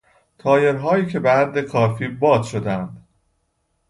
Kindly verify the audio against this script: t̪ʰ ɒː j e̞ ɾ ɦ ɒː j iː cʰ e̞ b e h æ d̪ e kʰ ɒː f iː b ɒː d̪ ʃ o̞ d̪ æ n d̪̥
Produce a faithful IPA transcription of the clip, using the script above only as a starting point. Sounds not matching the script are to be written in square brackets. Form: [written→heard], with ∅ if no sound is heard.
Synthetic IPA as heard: t̪ʰ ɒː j e̞ ɾ ɦ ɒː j iː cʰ e̞ b e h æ [d̪→d̪ː] e kʰ ɒː f iː b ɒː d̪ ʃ o̞ d̪ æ n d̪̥